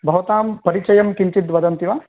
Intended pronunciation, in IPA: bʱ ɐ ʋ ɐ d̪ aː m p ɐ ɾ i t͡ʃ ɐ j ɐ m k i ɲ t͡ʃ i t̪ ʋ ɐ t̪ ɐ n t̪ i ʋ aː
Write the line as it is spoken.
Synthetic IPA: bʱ ɐ ʋ ɐ t̪ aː m p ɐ ɾ i t͡ʃ ɐ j ɐ m k i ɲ t͡ʃ i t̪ ʋ ɐ d̪ ɐ n t̪ i ʋ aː